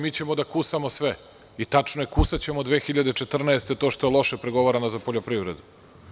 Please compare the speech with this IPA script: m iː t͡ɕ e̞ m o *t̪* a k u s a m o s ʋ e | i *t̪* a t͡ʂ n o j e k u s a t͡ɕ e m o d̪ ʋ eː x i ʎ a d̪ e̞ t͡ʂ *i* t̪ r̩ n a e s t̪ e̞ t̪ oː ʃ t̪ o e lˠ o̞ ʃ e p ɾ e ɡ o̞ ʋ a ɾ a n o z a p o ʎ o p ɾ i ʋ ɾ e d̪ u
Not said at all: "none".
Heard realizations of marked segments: d̪, t̪, e

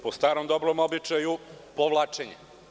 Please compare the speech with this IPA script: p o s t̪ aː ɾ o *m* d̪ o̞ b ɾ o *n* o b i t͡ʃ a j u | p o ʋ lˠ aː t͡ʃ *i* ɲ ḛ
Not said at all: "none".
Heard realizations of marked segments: m, m, e

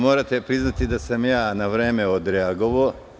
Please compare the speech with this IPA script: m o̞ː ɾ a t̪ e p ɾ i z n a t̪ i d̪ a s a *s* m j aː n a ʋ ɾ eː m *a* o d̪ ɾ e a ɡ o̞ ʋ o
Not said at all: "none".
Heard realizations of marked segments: none, e

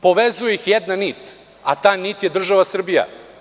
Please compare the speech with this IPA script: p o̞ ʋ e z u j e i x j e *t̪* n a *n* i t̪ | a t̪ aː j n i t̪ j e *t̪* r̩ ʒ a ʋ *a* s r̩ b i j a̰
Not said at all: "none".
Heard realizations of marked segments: d̪, n, d̪, a

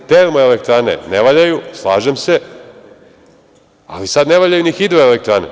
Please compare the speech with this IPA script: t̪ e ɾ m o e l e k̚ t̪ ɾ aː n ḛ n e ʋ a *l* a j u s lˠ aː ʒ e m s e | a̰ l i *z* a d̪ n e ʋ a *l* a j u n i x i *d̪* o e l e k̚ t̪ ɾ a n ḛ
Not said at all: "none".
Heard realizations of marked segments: ʎ, s, ʎ, d̪

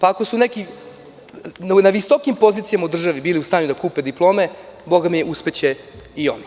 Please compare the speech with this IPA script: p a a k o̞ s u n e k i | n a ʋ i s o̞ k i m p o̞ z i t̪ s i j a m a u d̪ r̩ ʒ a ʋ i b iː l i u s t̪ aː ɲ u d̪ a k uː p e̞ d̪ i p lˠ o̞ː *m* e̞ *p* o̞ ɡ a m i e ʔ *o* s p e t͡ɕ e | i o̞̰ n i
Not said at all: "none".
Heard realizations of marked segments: m, b, u

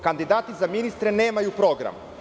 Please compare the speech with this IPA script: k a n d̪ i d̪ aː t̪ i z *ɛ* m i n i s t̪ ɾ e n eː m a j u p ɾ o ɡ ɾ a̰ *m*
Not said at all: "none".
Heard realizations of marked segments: a, m

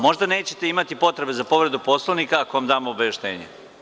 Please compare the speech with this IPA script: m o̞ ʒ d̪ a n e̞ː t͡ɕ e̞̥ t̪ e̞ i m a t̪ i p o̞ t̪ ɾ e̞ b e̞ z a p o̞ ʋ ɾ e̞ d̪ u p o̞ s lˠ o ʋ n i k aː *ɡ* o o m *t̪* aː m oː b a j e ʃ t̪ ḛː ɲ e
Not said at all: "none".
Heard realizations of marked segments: k, d̪

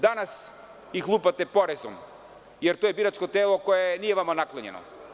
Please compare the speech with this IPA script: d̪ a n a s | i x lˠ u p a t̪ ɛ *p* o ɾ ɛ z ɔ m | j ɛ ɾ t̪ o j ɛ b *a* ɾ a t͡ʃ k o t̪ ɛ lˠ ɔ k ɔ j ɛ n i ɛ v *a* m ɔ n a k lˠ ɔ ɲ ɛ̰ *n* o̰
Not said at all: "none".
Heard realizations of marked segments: p, i, a, n

